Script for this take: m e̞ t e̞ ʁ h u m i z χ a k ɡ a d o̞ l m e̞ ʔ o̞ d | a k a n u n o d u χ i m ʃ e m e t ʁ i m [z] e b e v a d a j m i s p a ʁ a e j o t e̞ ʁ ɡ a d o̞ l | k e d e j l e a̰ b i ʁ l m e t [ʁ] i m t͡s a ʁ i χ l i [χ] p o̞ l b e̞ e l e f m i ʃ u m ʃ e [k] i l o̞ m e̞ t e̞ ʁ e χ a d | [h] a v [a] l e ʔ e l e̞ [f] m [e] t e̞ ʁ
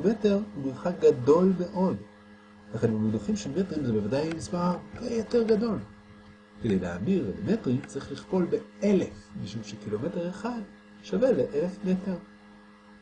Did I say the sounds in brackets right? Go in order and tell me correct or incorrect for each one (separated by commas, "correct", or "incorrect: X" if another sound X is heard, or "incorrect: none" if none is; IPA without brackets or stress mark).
correct, correct, correct, correct, incorrect: ʃ, incorrect: e, correct, correct